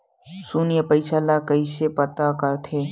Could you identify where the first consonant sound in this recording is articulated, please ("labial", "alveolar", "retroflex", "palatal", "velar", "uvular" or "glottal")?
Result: alveolar